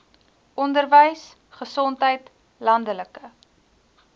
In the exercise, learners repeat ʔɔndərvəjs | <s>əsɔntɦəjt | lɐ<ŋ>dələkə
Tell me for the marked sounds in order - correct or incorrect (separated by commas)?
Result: incorrect, incorrect